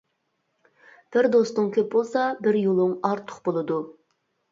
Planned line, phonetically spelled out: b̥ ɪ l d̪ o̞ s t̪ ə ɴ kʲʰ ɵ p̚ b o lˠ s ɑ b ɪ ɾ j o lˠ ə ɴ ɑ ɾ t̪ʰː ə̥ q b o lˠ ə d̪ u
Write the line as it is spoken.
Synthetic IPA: b̥ ɪ ɾ d̪ o̞ s t̪ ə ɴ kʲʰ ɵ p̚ b o lˠ s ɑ b ɪ ɾ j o lˠ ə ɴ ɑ ɾ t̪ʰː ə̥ q b o lˠ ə d̪ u